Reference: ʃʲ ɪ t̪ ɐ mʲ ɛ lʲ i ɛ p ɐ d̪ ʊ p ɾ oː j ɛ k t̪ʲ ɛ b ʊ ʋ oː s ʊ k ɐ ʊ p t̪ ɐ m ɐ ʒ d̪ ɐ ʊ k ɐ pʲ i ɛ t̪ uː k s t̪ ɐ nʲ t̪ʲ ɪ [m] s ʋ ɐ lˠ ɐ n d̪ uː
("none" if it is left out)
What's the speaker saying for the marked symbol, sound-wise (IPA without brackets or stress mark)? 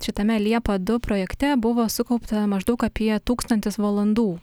none